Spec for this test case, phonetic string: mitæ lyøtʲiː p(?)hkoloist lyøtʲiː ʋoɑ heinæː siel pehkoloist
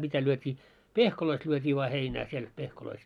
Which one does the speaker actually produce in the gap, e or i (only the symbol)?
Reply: e